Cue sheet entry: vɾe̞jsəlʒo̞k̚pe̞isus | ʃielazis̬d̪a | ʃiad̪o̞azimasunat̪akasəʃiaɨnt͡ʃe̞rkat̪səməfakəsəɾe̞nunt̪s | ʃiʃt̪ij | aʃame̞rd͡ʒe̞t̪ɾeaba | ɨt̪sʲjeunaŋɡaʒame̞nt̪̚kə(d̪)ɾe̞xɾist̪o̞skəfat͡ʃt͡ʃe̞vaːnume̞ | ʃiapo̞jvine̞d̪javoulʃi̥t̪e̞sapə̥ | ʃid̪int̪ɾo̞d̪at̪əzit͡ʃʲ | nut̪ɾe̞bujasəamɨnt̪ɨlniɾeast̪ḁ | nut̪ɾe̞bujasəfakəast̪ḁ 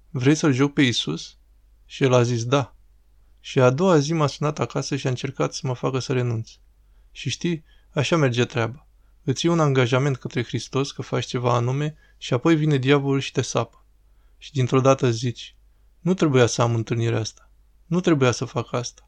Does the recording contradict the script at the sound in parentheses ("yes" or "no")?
yes